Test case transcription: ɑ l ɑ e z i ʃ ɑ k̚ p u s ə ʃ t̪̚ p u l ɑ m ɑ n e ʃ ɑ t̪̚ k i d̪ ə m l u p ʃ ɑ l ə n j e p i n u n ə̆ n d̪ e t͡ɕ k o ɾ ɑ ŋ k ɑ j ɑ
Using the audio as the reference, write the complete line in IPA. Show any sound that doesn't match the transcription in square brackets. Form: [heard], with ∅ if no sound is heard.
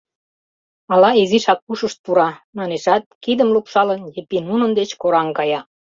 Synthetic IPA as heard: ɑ l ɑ e z i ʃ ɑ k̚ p u [ʃ] ə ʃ t̪̚ p u [ɾ] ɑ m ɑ n e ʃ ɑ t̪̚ k i d̪ ə m l u p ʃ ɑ l ə n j e p i n u n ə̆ n d̪ e t͡ɕ k o ɾ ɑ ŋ k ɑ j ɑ